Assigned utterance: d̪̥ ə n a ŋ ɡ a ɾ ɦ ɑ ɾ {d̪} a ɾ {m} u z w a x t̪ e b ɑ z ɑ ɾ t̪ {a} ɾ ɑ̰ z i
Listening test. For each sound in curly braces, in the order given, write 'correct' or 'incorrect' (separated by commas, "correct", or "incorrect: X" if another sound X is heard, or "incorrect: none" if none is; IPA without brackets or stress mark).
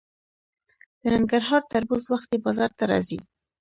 incorrect: t̪, incorrect: b, correct